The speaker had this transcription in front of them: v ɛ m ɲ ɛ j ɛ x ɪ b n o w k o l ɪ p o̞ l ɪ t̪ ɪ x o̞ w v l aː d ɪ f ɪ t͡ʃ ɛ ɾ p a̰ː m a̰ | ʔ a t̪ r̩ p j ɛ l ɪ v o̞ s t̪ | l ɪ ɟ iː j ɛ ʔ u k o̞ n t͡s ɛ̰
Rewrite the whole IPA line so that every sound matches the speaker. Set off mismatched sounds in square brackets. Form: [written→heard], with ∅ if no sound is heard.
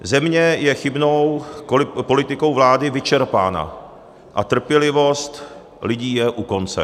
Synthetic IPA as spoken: [v→z] ɛ m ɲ ɛ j ɛ x ɪ b n o w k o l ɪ p o̞ l ɪ t̪ ɪ [x→k] o̞ w v l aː d ɪ [f→v] ɪ t͡ʃ ɛ ɾ p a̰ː [m→n] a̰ | ʔ a t̪ r̩ p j ɛ l ɪ v o̞ s t̪ | l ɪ ɟ iː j ɛ ʔ u k o̞ n t͡s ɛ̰

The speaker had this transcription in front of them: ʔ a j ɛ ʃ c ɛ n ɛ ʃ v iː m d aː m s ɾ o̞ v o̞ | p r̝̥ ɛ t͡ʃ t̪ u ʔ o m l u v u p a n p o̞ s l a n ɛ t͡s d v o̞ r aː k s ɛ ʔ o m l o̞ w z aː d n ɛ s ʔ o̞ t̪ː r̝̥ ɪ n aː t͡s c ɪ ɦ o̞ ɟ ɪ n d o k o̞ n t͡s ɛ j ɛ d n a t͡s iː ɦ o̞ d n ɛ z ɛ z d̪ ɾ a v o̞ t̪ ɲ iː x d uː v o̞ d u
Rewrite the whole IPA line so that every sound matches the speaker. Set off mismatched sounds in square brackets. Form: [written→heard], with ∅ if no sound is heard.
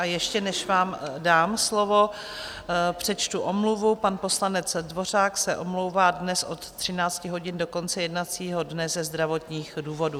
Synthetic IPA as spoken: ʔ a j ɛ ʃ c ɛ n ɛ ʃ v [iː→aː] m d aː m s [ɾ→l] o̞ v o̞ | p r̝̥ ɛ t͡ʃ t̪ u ʔ o m l u v u p a n p o̞ s l a n ɛ t͡s d v o̞ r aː k s ɛ ʔ o m l o̞ w [z→v] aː d n ɛ s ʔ o̞ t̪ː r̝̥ ɪ n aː t͡s c ɪ ɦ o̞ ɟ ɪ n d o k o̞ n t͡s ɛ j ɛ d n a t͡s iː ɦ o̞ d n ɛ z ɛ z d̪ ɾ a v o̞ t̪ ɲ iː x d uː v o̞ d u

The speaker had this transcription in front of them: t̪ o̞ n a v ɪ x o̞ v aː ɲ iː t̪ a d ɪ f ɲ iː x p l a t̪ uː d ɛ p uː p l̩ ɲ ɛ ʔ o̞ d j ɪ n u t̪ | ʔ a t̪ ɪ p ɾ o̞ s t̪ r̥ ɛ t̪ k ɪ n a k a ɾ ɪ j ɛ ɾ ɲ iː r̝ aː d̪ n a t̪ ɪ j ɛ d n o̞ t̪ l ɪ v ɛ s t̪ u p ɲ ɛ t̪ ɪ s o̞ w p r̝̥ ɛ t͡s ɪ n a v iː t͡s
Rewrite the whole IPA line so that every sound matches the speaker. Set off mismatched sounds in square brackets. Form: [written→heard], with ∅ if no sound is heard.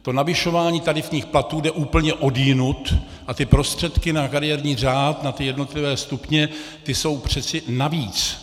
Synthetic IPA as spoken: t̪ o̞ n a v ɪ [x→ʃ] o̞ v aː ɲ iː t̪ a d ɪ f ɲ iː x p l a t̪ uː d ɛ [p→ʔ] uː p l̩ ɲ ɛ ʔ o̞ d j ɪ n u t̪ | ʔ a t̪ ɪ p ɾ o̞ s t̪ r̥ ɛ t̪ k ɪ n a k a ɾ ɪ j ɛ ɾ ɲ iː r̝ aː [d̪→t̪] n a t̪ ɪ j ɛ d n o̞ t̪ l ɪ v [ɛ→ɛː] s t̪ u p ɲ ɛ t̪ ɪ s o̞ w p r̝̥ ɛ t͡s ɪ n a v iː t͡s

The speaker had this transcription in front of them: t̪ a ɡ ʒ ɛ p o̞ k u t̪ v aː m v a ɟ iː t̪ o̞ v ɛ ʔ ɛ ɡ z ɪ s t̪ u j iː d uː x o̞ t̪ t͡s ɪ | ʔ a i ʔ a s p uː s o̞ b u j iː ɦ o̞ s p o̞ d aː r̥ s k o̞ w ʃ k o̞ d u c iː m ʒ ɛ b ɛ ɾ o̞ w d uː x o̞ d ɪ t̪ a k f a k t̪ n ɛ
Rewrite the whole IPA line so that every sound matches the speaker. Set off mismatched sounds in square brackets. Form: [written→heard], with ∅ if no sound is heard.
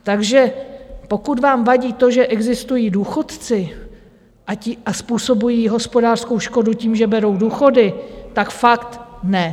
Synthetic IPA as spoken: t̪ a ɡ ʒ ɛ p o̞ k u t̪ v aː m v a ɟ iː t̪ o̞ [v→ʒ] ɛ ʔ ɛ ɡ z ɪ s t̪ u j iː d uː x o̞ t̪ t͡s ɪ | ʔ a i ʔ a s p uː s o̞ b u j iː ɦ o̞ s p o̞ d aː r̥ s k o̞ w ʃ k o̞ d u c iː m ʒ ɛ b ɛ ɾ o̞ w d uː x o̞ d ɪ t̪ a k f a k t̪ n ɛ

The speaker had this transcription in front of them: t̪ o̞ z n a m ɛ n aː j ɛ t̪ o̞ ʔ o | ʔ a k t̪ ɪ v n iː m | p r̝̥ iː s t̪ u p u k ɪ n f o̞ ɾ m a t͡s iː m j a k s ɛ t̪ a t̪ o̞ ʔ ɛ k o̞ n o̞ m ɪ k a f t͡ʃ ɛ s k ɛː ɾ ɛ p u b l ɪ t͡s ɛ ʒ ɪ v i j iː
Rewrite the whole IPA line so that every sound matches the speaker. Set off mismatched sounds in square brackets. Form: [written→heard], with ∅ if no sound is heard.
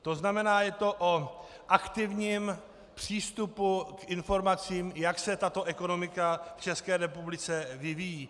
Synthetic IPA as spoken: t̪ o̞ z n a m ɛ n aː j ɛ t̪ o̞ ʔ o | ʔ a k t̪ ɪ v [n→ɲ] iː m | p r̝̥ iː s t̪ u p u k ɪ n f o̞ ɾ m a t͡s iː m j a k s ɛ t̪ a t̪ o̞ ʔ ɛ k o̞ n o̞ m ɪ k a f t͡ʃ ɛ s k ɛː ɾ ɛ p u b l ɪ t͡s ɛ [ʒ→v] ɪ v i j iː

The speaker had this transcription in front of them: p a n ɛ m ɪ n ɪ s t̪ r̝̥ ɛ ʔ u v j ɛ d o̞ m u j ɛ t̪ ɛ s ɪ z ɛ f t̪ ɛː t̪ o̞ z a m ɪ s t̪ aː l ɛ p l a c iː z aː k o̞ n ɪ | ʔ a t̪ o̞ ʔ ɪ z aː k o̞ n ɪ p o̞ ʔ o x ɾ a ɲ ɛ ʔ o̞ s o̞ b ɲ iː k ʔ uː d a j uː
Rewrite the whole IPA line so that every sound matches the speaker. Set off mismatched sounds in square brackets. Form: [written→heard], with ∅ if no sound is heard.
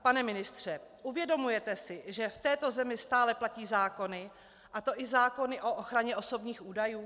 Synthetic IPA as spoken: p a n ɛ m ɪ n ɪ s t̪ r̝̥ ɛ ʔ u v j ɛ d o̞ m u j ɛ t̪ ɛ s ɪ [z→ʒ] ɛ f t̪ ɛː t̪ o̞ z [a→ɛ] m ɪ s t̪ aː l ɛ p l a c iː z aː k o̞ n ɪ | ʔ a t̪ o̞ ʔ ɪ z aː k o̞ n ɪ [p→ʔ] o̞ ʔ o x ɾ a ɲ ɛ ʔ o̞ s o̞ b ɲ iː [k→x] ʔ uː d a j uː

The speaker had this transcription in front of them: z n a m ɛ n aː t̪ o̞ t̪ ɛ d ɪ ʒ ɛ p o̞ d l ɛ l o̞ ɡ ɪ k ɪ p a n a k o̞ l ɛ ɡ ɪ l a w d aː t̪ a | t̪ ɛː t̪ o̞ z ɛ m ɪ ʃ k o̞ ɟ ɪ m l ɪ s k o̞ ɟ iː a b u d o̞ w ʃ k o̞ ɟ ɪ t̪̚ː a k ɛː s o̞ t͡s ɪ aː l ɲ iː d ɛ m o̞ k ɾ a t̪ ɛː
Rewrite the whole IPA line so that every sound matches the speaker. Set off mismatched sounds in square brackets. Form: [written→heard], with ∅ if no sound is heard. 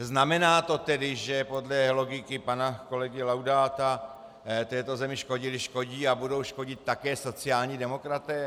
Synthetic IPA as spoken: z n a m ɛ n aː t̪ o̞ t̪ ɛ d ɪ ʒ ɛ p o̞ d l ɛ l o̞ ɡ ɪ k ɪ p a n a k o̞ l ɛ ɡ ɪ l a w d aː t̪ a | t̪ ɛː t̪ o̞ z ɛ m ɪ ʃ k o̞ ɟ ɪ [m→∅] l ɪ [s→ʃ] k o̞ ɟ iː a b u d o̞ w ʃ k o̞ ɟ ɪ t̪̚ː a k ɛː s o̞ t͡s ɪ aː l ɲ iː d ɛ m o̞ k ɾ a t̪ ɛː

